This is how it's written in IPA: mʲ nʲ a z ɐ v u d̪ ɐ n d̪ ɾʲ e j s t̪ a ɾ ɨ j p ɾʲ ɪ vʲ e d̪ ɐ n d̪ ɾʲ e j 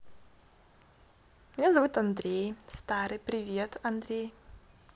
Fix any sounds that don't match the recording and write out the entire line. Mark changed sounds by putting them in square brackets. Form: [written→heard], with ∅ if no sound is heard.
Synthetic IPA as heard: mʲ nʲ a z ɐ v u [d̪→t̪] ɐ n d̪ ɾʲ e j s t̪ a ɾ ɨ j p ɾʲ ɪ vʲ e [d̪→t̪] ɐ n d̪ ɾʲ e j